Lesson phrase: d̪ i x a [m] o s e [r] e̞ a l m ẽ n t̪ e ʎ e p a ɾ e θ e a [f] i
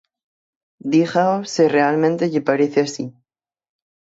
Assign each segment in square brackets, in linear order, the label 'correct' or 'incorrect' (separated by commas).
incorrect, correct, incorrect